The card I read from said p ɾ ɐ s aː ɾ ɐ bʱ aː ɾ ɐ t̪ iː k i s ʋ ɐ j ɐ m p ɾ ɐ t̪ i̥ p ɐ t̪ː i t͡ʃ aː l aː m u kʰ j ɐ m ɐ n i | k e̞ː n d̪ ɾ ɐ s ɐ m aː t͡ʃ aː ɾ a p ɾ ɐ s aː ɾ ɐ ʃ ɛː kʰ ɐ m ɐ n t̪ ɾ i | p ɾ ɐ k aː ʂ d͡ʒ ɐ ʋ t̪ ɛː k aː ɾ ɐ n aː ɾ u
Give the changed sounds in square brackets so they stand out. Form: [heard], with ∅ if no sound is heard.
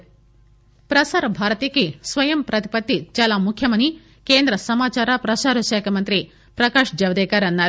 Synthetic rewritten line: p ɾ ɐ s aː ɾ ɐ bʱ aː ɾ ɐ t̪ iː k i s ʋ ɐ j ɐ m p ɾ ɐ t̪ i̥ p ɐ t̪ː i t͡ʃ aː l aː m u kʰ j ɐ m ɐ n i | k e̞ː n d̪ ɾ ɐ s ɐ m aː t͡ʃ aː ɾ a p ɾ ɐ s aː ɾ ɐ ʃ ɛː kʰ ɐ m ɐ n t̪ ɾ i | p ɾ ɐ k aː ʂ d͡ʒ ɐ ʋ [d̪] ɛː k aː ɾ ɐ [nː] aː ɾ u